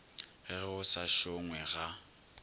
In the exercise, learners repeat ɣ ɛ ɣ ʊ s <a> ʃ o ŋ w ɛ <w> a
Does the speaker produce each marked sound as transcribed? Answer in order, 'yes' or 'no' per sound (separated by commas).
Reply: yes, no